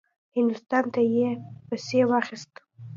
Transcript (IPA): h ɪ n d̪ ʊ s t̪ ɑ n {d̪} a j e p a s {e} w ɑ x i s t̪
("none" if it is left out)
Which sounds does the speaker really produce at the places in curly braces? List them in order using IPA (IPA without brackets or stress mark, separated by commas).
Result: t̪, e